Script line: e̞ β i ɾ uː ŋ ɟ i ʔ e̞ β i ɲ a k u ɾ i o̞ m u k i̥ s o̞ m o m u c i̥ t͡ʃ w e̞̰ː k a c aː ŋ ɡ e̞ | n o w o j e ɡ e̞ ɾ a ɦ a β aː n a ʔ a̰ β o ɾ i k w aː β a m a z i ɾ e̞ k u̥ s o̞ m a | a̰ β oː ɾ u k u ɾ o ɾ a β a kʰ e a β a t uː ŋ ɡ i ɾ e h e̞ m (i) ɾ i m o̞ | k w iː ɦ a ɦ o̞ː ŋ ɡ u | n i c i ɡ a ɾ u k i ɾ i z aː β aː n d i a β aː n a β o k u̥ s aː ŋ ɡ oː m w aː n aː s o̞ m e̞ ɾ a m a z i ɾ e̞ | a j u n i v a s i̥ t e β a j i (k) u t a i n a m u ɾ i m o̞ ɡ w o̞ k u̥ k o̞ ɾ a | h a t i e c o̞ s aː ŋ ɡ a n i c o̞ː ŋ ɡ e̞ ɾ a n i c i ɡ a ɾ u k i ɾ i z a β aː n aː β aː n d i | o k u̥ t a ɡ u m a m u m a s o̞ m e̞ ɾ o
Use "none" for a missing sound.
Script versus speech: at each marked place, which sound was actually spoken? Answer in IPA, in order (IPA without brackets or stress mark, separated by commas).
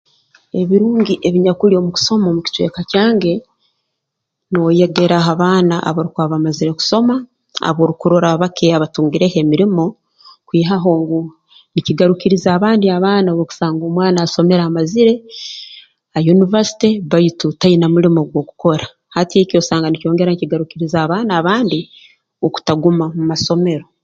i, t